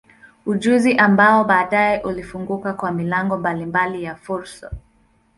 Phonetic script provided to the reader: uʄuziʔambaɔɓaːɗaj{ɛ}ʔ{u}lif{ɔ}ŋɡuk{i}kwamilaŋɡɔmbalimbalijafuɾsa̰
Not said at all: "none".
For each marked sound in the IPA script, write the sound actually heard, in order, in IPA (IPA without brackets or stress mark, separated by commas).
ɛ, u, u, a